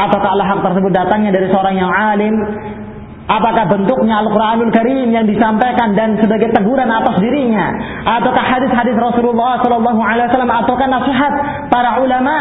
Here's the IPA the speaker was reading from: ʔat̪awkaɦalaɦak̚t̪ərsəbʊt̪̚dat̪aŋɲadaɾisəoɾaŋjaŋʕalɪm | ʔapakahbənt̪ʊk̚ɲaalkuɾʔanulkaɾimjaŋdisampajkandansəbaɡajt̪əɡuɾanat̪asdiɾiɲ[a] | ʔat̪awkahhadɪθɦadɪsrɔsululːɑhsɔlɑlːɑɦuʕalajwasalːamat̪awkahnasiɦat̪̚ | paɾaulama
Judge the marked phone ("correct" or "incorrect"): correct